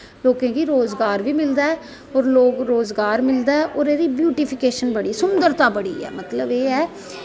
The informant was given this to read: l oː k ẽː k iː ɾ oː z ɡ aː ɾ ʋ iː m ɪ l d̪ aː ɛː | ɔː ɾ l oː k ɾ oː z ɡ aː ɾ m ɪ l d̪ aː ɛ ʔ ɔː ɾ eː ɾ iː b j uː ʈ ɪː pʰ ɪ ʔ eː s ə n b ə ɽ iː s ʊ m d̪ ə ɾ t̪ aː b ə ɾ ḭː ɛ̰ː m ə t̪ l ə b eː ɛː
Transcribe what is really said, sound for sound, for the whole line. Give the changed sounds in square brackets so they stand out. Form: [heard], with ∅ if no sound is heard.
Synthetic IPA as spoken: l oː k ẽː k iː ɾ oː z ɡ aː ɾ ʋ iː m ɪ l d̪ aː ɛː | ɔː ɾ l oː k ɾ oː z ɡ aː ɾ m ɪ l d̪ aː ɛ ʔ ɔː ɾ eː ɾ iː b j uː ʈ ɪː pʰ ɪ [k] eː [ʃ] ə n b ə ɽ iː s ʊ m d̪ ə ɾ t̪ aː b ə [ɽ] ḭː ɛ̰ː m ə t̪ l ə b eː ɛː